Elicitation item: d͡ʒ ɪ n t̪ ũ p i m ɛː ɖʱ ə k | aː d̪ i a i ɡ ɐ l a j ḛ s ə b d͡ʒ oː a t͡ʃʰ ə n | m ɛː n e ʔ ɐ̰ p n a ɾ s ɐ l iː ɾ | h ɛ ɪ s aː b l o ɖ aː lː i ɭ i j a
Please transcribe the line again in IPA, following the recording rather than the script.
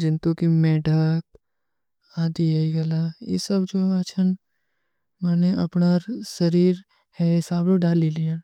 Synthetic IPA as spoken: d͡ʒ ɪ n t̪ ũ k i m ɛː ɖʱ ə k | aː d̪ i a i ɡ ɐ l a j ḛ s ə b d͡ʒ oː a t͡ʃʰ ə n | m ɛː n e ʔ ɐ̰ p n a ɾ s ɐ ɾ iː ɾ | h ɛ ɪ s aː b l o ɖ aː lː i l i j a